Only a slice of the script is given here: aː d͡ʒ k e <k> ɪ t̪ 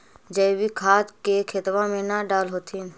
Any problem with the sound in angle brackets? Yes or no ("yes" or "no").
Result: yes